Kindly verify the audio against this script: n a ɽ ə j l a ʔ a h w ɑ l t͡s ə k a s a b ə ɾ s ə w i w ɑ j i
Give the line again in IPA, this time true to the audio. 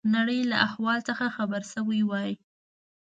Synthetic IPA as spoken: n a ɽ ə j l a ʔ a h w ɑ l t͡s ə x a x a b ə ɾ s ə w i w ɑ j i